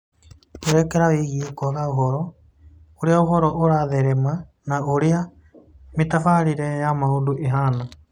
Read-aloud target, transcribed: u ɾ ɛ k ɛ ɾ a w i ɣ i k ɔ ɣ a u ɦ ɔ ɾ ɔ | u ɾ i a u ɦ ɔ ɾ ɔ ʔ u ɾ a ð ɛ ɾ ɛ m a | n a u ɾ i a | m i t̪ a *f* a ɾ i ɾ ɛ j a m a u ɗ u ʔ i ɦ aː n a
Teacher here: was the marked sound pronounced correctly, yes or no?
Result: yes